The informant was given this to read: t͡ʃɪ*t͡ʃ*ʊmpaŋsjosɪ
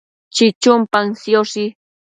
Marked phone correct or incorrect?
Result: correct